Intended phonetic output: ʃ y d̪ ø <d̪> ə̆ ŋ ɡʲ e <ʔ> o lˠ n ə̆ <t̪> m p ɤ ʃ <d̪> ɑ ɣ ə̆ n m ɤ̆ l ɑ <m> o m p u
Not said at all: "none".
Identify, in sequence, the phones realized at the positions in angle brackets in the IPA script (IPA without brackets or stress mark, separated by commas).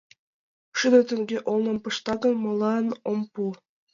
t̪, ʔ, none, t̪, n